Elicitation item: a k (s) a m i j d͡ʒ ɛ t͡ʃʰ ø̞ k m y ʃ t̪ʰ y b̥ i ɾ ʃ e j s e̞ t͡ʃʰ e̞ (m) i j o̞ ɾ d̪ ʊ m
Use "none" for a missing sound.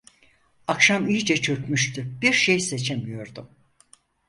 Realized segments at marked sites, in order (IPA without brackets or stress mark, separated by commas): ʃ, m